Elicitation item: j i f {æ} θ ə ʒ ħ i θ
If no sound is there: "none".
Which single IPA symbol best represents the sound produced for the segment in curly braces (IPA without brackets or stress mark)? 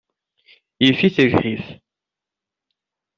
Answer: i